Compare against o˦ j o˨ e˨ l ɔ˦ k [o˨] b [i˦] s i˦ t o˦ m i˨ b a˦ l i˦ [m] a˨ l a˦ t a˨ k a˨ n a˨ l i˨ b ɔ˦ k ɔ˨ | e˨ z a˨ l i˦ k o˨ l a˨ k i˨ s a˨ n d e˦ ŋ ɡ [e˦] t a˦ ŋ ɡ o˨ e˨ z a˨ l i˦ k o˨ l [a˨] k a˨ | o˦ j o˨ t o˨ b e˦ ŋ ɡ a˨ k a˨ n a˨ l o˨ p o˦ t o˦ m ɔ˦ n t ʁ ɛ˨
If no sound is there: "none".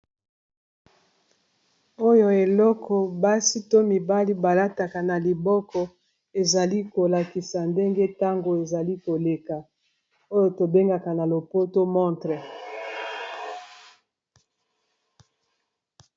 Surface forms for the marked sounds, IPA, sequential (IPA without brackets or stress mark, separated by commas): ɔ˨, a˦, b, e˦, e˨